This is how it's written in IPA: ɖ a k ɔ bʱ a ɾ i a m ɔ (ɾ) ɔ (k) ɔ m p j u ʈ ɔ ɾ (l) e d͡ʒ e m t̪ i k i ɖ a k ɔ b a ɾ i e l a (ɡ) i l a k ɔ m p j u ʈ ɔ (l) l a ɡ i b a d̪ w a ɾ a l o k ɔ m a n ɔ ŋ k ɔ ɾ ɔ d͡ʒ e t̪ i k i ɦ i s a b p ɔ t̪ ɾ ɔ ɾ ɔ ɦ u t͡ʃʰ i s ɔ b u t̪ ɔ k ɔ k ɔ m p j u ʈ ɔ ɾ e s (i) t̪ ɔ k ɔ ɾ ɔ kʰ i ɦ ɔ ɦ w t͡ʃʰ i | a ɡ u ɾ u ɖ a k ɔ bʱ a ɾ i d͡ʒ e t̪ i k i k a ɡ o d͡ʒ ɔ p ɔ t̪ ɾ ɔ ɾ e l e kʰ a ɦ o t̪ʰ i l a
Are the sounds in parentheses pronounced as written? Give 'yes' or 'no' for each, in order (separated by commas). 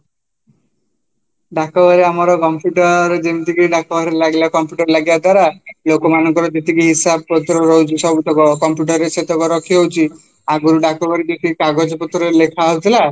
yes, yes, no, yes, no, no